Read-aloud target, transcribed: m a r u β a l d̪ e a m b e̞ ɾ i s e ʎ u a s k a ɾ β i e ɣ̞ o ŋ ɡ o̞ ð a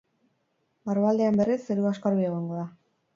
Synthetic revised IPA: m a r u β a l d̪ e a m b e̞ r i s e ɾ u a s k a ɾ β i e ɣ̞ o ŋ ɡ o̞ ð a